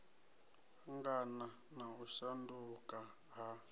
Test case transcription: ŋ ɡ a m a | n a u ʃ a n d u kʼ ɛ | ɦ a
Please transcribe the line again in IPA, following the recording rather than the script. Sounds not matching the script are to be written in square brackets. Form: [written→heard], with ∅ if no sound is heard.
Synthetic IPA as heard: ŋ ɡ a [m→n] a | n a u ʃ a n d u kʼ [ɛ→a] | ɦ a

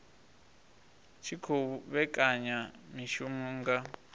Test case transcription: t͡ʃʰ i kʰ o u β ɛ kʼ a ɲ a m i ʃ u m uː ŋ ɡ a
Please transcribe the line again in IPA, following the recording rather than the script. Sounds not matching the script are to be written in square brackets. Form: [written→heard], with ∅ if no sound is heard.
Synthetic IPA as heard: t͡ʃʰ i kʰ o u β ɛ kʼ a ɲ a m i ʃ u m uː ŋ ɡ a

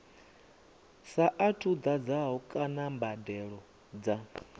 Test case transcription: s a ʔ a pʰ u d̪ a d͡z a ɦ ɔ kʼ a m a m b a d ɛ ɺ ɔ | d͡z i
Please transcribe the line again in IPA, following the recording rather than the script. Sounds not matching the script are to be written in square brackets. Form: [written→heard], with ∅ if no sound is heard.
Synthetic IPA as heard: s a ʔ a [pʰ→tʰ] u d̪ a d͡z a ɦ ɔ kʼ a [m→n] a m b a d ɛ ɺ ɔ | d͡z [i→a]

